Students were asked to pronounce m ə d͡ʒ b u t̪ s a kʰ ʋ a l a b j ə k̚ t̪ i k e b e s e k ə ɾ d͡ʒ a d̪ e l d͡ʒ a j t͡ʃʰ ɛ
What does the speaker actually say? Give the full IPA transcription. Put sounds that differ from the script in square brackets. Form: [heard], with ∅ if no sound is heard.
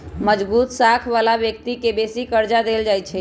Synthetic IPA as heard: m ə d͡ʒ b u t̪ s a kʰ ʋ a l a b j ə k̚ t̪ i k e b e s [i] k ə ɾ d͡ʒ a d̪ e l d͡ʒ a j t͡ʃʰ ɛ